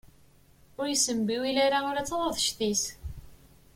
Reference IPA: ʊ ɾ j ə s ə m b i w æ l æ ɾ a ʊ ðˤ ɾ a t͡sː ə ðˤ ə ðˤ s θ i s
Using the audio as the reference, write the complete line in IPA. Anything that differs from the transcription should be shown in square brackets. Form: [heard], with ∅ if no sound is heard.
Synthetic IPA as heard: ʊ ɾ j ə s ə m b i w [i] l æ ɾ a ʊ [∅] ɾ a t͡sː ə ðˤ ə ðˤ [ʃ] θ i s